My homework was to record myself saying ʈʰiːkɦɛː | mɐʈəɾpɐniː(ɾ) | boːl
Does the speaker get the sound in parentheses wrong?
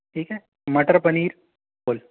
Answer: no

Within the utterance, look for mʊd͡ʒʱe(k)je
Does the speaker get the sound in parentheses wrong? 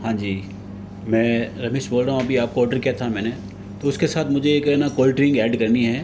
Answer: yes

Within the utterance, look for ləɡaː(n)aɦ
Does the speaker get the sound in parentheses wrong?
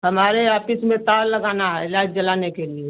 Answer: no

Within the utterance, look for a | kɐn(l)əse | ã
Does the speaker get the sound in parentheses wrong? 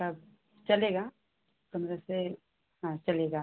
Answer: yes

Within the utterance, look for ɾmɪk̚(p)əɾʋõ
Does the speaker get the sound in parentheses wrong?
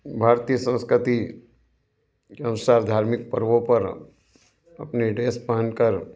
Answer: no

